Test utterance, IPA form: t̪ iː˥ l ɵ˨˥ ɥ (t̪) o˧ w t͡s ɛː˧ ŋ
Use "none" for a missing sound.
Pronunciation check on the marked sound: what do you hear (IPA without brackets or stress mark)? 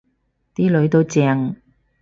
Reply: t̪